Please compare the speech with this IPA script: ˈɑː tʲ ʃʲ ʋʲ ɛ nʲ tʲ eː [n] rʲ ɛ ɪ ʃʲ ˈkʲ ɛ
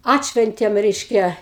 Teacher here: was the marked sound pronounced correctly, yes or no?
no